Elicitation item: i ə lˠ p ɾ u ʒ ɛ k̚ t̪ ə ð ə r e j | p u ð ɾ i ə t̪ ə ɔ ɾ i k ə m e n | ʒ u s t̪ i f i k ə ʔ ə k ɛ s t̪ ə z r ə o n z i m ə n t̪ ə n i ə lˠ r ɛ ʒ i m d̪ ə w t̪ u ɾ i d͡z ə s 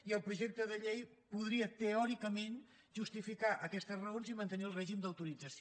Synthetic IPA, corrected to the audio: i ə lˠ p ɾ u ʒ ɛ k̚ t̪ ə ð ə ʎ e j | p u ð ɾ i ə t̪ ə ɔ ɾ i k ə m e n | ʒ u s t̪ i f i k a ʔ ə k ɛ s t̪ ə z r ə o n z i m ə n t̪ ə n i ə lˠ r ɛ ʒ i m d̪ ə w t̪ u ɾ i d͡z ə s